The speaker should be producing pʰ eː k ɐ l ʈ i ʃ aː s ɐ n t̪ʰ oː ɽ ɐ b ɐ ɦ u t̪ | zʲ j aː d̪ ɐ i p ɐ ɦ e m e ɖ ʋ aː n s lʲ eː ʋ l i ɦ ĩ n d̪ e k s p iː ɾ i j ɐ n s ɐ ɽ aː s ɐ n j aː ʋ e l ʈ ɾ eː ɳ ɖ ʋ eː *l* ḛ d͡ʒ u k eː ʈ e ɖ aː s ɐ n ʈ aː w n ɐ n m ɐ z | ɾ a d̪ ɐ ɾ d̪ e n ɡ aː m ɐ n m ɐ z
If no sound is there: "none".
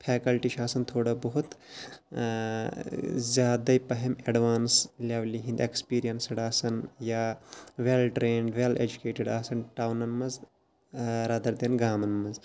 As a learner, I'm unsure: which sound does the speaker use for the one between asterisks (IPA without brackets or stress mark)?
l